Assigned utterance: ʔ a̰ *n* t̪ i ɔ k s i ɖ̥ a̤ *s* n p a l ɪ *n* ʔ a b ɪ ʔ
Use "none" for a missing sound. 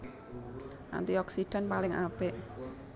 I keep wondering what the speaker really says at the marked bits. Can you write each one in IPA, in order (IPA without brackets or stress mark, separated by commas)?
n, none, ŋ